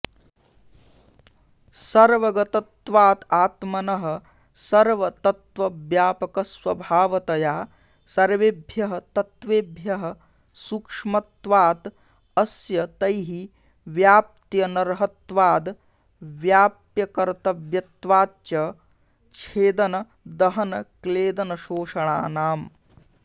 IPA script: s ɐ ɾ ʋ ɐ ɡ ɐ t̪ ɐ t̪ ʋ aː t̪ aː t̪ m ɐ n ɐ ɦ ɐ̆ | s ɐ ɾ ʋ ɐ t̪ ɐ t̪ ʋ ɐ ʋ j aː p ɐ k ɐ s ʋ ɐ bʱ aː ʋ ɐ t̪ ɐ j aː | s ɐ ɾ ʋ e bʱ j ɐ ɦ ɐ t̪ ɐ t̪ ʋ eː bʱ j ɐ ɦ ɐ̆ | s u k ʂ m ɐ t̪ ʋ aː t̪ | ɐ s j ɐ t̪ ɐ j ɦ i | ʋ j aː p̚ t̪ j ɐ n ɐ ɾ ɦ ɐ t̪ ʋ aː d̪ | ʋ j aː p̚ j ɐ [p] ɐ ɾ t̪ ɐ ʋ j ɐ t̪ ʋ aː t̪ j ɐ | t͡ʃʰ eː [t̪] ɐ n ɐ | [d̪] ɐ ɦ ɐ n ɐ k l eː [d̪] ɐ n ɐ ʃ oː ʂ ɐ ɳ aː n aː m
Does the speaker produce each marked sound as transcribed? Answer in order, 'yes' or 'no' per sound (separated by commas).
no, no, yes, yes